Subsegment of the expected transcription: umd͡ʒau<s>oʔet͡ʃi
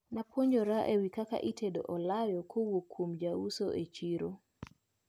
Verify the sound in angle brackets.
correct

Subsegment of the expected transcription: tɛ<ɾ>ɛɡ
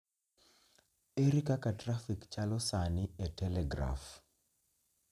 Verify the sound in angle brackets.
incorrect: l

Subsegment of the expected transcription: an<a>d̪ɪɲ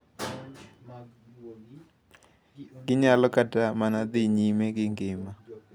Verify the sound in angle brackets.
correct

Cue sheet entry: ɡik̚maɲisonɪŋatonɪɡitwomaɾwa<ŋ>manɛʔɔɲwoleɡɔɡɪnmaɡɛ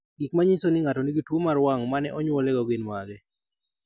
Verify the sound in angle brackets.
correct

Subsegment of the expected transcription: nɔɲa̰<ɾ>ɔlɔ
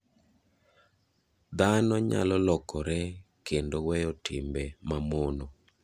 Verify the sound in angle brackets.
incorrect: l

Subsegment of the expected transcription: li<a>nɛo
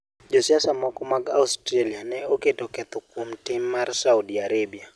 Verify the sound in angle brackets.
correct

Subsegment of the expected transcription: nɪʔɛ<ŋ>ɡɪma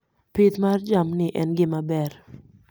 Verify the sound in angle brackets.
incorrect: n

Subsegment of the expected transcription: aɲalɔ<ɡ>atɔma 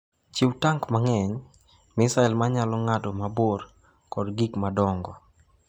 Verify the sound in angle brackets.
incorrect: ŋ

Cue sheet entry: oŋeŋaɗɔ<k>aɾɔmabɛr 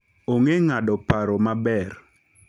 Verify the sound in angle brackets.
incorrect: p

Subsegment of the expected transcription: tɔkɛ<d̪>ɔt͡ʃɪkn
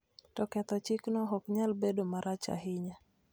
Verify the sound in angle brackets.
incorrect: t̪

